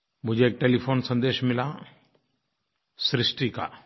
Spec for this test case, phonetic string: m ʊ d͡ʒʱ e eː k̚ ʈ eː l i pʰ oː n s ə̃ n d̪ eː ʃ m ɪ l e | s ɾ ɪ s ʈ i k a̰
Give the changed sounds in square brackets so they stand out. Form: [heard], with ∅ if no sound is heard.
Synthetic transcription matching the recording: m ʊ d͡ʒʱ e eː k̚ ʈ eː l i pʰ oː n s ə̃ n d̪ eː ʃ m ɪ l [a] | s ɾ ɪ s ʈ i k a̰